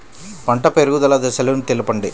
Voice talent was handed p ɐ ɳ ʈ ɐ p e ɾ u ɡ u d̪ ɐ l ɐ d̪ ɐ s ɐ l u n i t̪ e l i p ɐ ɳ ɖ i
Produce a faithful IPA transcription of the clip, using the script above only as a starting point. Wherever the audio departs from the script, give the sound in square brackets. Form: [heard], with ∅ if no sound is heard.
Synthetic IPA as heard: p ɐ ɳ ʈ ɐ p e ɾ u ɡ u d̪ ɐ l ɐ d̪ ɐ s ɐ l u n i t̪ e l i p ɐ ɳ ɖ i